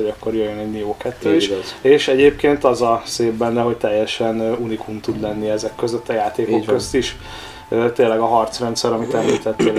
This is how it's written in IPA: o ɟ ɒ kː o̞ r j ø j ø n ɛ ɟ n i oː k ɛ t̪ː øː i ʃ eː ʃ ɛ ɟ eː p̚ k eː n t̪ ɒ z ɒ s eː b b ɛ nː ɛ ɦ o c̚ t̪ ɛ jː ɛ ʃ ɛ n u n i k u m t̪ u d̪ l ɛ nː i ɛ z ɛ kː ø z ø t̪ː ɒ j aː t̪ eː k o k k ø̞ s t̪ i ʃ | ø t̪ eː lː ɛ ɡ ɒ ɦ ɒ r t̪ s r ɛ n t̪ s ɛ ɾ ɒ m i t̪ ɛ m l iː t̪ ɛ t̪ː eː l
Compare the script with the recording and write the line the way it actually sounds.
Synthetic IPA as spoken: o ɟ ɒ kː o̞ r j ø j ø n ɛ ɟ n i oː k ɛ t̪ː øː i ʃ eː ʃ ɛ ɟ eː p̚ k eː n t̪ ɒ z ɒ s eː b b ɛ nː ɛ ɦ o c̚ t̪ ɛ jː ɛ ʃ ɛ n u n i k u m t̪ u d̪ l ɛ nː i ɛ z ɛ kː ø z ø t̪ː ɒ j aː t̪ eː k o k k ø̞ s t̪ i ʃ | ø t̪ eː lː ɛ ɡ ɒ ɦ ɒ r t̪ s r ɛ n t̪ s ɛ ɾ ɒ m i t̪ ɛ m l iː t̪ ɛ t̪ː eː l